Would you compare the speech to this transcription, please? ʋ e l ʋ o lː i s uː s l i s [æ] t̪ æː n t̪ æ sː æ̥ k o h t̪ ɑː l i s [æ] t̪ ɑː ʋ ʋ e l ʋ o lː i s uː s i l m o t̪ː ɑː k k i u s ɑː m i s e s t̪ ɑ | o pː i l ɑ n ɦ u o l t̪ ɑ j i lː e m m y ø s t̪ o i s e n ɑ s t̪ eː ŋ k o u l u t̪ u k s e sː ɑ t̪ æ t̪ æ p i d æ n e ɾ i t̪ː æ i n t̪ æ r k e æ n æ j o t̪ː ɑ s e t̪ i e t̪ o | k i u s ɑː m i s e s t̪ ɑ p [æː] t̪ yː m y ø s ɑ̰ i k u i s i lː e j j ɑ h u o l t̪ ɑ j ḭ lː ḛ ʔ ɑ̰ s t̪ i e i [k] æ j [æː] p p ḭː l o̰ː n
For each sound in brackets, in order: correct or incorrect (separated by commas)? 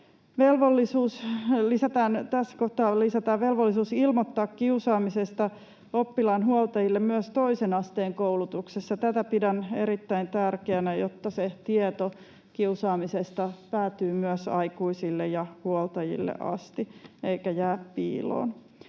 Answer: correct, correct, correct, correct, correct